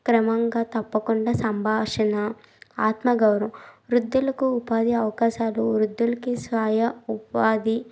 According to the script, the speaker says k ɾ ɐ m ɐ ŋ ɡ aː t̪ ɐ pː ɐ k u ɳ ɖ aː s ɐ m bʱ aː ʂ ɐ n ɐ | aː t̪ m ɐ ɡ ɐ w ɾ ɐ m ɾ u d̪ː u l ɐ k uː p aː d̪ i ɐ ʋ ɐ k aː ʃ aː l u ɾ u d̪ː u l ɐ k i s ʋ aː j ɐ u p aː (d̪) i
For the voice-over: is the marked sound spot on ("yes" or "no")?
yes